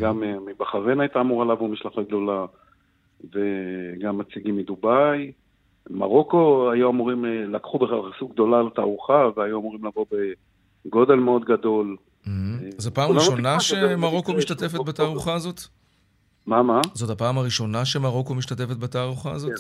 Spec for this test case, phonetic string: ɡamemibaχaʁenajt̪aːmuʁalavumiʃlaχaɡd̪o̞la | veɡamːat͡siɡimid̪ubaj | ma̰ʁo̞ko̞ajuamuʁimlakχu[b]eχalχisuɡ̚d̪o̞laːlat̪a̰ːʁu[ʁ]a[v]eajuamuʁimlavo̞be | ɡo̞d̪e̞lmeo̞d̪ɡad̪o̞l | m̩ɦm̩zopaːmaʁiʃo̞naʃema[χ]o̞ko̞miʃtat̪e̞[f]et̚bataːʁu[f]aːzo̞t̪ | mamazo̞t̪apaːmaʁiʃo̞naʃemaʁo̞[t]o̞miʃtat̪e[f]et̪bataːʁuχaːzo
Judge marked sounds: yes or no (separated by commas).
yes, no, yes, no, yes, no, no, yes